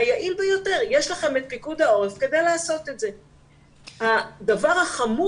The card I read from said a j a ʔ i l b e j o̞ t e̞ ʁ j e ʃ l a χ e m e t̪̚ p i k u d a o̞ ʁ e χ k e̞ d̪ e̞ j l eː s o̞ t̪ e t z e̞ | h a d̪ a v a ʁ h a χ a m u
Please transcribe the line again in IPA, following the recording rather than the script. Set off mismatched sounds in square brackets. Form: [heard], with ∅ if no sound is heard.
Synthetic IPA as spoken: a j a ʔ i l b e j o̞ t e̞ ʁ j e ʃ l a χ e m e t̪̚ p i k u d a o̞ ʁ e [f] k e̞ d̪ e̞ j l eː s o̞ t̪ e t z e̞ | h a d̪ a v a ʁ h a χ a m u